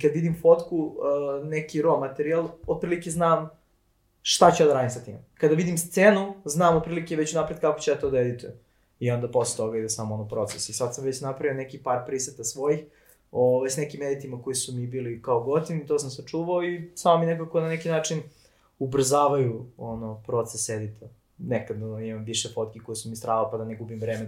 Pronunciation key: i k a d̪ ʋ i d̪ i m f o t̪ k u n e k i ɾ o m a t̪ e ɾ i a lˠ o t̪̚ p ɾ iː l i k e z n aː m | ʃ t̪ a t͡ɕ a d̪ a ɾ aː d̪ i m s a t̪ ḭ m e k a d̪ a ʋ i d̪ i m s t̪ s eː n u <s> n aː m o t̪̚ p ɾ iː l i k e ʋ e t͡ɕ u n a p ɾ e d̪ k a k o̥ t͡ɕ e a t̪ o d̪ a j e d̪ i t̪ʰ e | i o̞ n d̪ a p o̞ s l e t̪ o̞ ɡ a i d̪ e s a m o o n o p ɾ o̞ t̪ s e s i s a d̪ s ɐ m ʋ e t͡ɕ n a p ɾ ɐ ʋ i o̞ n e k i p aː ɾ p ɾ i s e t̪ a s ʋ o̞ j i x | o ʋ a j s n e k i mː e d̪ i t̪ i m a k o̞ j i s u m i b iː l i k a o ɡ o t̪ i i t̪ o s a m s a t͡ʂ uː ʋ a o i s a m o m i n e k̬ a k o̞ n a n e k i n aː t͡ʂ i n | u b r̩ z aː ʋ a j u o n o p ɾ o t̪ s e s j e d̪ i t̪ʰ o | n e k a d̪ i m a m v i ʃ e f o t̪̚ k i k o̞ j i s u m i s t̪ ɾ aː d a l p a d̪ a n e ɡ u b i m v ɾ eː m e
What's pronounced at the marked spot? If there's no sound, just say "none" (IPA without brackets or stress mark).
z